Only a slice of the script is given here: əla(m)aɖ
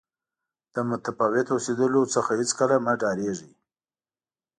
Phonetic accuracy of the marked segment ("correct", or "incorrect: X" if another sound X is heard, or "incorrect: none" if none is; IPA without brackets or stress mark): correct